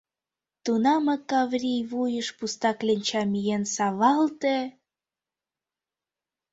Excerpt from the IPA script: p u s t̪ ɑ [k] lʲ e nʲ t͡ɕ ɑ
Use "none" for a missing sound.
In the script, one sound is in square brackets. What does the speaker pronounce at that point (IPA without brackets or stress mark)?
k